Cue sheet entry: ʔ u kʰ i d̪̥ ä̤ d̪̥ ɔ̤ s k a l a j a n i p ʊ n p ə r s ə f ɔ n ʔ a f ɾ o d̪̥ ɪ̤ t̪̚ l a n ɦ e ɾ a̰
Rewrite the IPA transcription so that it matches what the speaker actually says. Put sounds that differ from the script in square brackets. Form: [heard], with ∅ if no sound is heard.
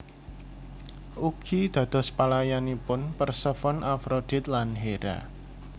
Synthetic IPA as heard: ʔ u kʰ i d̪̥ ä̤ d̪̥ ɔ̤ s [p] a l a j a n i p ʊ n p ə r s ə f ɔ n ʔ a f ɾ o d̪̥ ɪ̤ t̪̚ l a n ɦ e ɾ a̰